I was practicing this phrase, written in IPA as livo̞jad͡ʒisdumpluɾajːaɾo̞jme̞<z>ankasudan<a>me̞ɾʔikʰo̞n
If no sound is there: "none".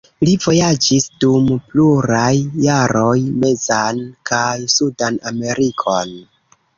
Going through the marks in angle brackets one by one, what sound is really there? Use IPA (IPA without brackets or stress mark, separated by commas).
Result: z, a